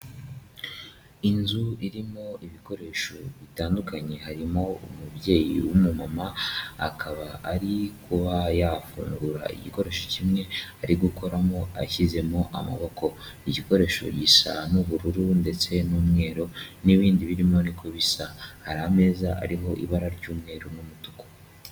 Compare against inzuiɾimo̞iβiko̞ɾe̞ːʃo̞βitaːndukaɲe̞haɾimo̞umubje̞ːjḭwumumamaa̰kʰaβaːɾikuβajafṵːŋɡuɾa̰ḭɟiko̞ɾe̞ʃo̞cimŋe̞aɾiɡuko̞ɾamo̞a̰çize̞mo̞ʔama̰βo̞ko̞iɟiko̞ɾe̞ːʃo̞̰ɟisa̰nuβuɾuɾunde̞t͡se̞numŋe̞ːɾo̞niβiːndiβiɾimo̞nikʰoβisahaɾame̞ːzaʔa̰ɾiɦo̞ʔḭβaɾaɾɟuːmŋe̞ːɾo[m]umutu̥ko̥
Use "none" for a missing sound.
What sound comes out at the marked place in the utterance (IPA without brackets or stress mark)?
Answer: n